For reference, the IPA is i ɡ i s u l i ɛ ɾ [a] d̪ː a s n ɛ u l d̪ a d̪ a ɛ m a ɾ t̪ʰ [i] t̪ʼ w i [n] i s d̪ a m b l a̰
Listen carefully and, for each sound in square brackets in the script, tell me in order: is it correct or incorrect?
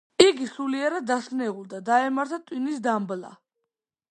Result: correct, incorrect, correct

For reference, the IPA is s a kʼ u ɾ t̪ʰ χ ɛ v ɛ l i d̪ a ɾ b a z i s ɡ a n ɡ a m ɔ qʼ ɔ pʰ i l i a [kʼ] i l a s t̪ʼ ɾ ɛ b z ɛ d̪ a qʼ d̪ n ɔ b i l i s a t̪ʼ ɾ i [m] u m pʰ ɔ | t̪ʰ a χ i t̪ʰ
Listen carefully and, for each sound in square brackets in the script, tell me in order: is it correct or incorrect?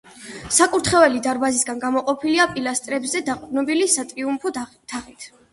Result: incorrect, incorrect

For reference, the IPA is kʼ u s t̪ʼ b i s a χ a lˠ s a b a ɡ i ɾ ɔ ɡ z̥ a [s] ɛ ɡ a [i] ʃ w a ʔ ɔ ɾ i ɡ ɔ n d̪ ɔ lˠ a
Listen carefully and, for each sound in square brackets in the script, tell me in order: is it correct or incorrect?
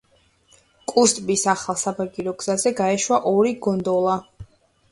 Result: incorrect, incorrect

